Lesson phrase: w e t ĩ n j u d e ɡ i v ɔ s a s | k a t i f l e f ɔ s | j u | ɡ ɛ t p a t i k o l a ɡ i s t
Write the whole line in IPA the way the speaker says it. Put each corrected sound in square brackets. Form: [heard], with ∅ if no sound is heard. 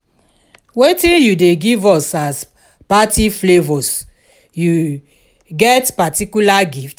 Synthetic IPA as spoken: w e t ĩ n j u d e ɡ i v ɔ s a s | [p] a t i f l e [v] ɔ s | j u | ɡ ɛ t p a t i k [u] l a ɡ i [f] t